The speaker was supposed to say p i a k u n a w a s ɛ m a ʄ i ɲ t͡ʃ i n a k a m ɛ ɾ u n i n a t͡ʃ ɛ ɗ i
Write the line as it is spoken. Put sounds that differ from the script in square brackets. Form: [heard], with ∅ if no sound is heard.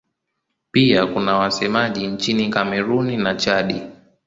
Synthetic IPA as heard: p i a k u n a w a s ɛ m a ʄ i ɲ t͡ʃ i n [i] k a m ɛ ɾ u n i n a t͡ʃ [a] ɗ i